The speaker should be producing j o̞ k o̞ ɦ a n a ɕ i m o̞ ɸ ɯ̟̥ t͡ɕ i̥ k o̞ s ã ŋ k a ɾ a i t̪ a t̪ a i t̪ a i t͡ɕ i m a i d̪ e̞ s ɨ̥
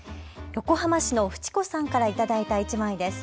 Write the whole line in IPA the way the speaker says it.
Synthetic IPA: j o̞ k o̞ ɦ a m a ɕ i n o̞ ɸ ɯ̟̥ t͡ɕ i̥ k o̞ s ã ŋ k a ɾ a i t̪ a d̪ a i t̪ a i t͡ɕ i m a i d̪ e̞ s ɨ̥